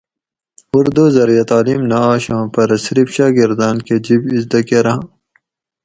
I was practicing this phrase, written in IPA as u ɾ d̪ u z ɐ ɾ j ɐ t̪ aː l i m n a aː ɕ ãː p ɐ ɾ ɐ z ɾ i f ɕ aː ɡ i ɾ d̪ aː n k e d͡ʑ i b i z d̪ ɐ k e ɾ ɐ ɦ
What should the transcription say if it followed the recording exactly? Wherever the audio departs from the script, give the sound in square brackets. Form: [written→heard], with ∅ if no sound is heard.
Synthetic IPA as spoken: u ɾ d̪ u z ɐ ɾ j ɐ t̪ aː l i m n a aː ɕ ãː p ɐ ɾ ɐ [z→s] ɾ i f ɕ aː ɡ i ɾ d̪ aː n k e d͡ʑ i b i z d̪ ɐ k e ɾ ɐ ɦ